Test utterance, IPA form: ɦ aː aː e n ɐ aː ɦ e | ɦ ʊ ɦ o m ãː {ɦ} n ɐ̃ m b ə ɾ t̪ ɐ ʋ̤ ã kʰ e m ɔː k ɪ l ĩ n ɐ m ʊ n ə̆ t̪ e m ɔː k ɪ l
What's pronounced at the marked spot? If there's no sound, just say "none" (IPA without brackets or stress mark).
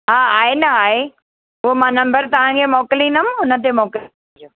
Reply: none